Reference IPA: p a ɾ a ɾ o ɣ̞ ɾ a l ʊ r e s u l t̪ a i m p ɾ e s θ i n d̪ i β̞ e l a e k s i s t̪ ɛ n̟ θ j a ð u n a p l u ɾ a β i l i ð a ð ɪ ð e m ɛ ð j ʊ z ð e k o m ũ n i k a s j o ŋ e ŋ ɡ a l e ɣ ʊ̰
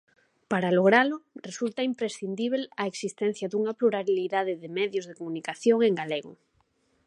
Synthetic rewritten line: p a ɾ a l o ɣ̞ ɾ a l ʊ r e s u l t̪ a i m p ɾ e s θ i n d̪ i β̞ e l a e k s i s t̪ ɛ n̟ θ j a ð u ŋ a p l u ɾ a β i l i ð a ð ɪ ð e m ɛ ð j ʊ z ð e k o m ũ n i k a θ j o ŋ e ŋ ɡ a l e ɣ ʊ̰